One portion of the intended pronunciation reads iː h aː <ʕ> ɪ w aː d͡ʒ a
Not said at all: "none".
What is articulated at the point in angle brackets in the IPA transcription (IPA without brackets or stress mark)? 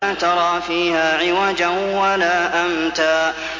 ʕ